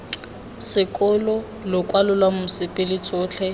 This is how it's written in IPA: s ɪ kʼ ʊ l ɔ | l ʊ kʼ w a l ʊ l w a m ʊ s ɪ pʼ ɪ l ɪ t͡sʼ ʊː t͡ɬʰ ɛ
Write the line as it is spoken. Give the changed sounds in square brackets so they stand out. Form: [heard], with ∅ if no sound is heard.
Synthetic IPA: s ɪ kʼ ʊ l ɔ | l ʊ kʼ w a l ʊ l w a m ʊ s ɪ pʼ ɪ l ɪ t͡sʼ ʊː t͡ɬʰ ɛ